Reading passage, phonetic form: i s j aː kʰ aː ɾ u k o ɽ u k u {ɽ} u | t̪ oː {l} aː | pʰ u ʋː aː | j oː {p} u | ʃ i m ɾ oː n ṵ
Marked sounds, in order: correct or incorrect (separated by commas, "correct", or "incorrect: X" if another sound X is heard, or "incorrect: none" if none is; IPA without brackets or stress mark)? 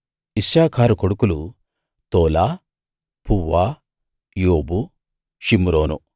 incorrect: l, correct, incorrect: b